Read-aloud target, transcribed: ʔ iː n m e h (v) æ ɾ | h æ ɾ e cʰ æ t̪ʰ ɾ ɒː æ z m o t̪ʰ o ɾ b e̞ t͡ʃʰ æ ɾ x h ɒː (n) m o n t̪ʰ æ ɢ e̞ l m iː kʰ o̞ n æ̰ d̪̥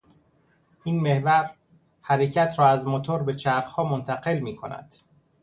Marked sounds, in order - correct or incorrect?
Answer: correct, incorrect: none

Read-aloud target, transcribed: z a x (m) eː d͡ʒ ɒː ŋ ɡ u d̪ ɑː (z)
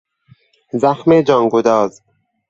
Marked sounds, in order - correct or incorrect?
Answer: correct, correct

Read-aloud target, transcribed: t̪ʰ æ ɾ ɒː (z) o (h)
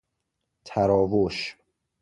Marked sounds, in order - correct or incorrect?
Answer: incorrect: v, incorrect: ʃ

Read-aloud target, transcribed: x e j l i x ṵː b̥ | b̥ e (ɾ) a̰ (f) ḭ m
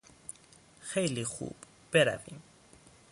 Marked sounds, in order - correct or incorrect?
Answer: correct, incorrect: v

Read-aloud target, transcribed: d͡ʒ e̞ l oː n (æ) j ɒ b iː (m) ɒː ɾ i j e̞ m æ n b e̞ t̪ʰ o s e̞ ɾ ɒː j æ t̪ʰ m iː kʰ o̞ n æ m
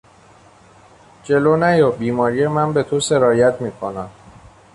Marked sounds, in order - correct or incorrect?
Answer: correct, correct

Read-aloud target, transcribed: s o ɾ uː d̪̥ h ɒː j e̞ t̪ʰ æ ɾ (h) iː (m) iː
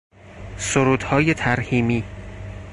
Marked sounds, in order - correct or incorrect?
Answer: correct, correct

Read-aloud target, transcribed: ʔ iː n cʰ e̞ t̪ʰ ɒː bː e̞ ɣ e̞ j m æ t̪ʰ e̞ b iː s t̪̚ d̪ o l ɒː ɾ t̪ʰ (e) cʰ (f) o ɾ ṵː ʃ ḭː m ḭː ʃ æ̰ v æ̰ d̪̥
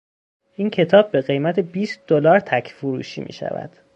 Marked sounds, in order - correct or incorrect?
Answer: incorrect: æ, correct

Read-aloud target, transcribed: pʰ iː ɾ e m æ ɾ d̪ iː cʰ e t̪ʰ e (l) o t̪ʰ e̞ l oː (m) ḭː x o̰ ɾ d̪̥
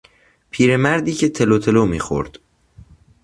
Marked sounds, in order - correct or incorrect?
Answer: correct, correct

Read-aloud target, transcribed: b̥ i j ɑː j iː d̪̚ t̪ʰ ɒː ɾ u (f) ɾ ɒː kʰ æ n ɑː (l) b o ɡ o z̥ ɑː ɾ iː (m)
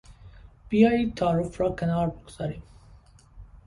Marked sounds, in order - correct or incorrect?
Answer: correct, incorrect: ɾ, correct

